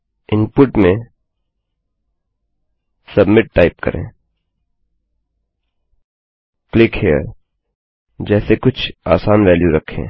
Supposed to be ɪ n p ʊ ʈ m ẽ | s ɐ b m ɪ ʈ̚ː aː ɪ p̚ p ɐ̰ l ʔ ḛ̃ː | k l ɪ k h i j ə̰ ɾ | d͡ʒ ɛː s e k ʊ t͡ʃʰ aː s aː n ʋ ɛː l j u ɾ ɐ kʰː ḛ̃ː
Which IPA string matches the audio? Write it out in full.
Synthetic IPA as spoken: ɪ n p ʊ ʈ m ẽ | s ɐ b m ɪ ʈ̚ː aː ɪ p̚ k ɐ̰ ɾ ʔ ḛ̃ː | k l ɪ k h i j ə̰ ɾ | d͡ʒ ɛː s e k ʊ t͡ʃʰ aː s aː n ʋ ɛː l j u ɾ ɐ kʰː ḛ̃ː